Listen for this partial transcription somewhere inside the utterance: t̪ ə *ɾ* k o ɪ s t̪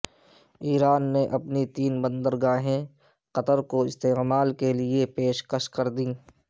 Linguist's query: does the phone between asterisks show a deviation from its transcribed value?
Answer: no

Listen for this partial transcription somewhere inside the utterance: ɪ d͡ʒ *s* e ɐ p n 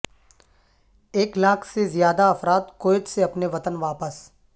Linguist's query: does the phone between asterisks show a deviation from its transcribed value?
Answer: no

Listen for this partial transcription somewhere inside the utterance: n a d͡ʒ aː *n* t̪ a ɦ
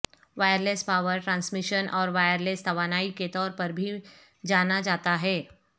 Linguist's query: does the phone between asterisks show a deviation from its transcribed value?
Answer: yes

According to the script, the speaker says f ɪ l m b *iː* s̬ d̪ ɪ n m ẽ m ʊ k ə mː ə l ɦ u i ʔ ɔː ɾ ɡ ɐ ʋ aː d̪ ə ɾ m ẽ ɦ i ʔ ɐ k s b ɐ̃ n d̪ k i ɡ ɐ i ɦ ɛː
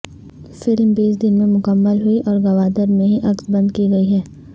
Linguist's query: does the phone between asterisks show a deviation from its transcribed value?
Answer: no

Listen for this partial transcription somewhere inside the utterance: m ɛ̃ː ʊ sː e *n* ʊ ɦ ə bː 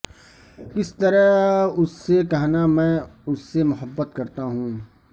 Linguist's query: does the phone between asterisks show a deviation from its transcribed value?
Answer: yes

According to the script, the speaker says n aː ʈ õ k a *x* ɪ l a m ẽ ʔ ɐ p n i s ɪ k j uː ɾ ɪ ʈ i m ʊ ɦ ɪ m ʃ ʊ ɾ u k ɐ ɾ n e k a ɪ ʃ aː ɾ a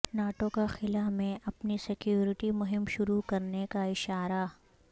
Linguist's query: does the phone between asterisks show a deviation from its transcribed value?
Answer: no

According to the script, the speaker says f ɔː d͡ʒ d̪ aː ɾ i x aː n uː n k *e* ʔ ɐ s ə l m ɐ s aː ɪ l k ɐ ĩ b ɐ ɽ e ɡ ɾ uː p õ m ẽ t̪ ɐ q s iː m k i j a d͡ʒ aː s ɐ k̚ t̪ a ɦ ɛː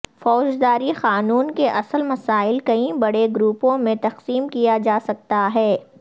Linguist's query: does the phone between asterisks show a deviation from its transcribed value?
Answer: no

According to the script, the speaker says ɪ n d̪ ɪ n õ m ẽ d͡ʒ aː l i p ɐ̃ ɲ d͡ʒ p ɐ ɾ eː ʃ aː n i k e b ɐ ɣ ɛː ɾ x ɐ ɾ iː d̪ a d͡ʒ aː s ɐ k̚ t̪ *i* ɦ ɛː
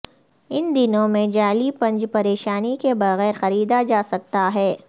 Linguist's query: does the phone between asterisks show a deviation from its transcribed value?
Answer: yes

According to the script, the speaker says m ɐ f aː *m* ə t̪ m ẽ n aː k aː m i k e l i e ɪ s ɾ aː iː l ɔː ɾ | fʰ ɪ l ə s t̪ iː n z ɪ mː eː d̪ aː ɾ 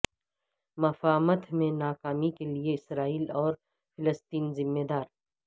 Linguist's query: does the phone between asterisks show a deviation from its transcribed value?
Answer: no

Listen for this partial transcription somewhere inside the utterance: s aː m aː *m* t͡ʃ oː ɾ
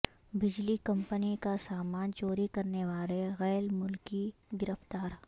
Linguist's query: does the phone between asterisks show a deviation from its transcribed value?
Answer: yes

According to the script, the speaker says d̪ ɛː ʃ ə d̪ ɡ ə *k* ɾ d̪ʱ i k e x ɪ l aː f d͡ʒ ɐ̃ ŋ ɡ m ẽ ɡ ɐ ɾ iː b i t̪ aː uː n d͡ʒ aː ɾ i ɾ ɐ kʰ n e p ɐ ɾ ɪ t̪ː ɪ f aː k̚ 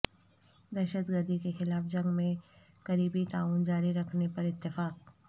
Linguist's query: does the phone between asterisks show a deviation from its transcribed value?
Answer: yes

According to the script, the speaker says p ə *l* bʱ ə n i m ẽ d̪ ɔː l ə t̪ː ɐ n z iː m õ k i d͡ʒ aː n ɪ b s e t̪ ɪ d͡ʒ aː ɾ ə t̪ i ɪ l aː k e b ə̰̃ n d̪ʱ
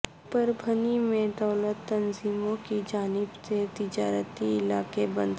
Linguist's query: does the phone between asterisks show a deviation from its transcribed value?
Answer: yes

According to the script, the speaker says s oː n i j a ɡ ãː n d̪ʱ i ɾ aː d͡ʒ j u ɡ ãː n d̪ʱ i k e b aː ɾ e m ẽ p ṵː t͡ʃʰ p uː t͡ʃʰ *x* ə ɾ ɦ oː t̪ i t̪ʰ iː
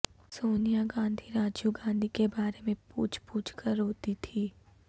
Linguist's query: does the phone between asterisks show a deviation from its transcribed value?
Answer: yes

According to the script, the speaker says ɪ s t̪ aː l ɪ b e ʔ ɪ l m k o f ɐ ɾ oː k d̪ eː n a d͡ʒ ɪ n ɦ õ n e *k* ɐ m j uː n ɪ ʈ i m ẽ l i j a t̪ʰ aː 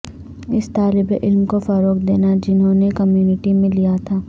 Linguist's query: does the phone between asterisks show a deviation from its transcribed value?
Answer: no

